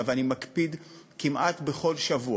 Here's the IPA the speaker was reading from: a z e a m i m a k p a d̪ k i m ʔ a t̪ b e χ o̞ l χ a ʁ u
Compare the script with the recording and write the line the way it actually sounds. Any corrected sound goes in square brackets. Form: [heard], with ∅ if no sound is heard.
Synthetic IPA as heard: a [v] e a [n] i m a k p [i] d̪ k i m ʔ a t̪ b e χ o̞ l [ʃ] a [v] u